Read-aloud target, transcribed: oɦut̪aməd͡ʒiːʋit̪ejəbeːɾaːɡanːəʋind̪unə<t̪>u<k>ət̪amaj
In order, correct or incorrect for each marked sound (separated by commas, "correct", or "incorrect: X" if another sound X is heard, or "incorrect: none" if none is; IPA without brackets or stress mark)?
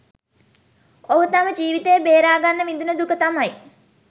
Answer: incorrect: d̪, correct